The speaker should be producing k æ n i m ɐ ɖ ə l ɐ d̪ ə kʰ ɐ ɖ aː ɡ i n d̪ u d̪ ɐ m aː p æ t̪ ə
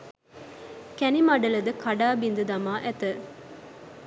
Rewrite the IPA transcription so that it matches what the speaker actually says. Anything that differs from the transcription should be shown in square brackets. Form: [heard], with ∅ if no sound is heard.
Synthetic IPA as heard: k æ n i m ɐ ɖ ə l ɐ d̪ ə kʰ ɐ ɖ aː [b] i n d̪ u d̪ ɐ m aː [ʔ] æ t̪ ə